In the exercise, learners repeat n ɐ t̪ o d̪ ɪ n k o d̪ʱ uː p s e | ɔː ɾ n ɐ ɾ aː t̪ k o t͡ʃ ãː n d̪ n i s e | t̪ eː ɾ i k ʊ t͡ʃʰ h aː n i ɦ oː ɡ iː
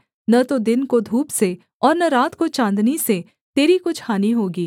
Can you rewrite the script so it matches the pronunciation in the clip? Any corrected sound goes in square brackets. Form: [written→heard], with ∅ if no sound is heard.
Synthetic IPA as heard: n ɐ t̪ o d̪ ɪ n k o d̪ʱ uː p s e | ɔː ɾ n ɐ ɾ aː t̪ k o t͡ʃ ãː n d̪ n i s e | t̪ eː ɾ i k ʊ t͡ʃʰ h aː n i ɦ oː ɡ iː

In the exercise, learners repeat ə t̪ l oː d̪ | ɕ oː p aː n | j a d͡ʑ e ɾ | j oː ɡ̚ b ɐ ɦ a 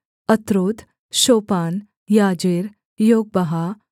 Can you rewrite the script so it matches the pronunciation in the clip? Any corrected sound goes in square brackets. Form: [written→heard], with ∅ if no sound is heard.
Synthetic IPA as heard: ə t̪ [l→ɾ] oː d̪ | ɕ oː p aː n | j a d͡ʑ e ɾ | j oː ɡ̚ b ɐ ɦ a

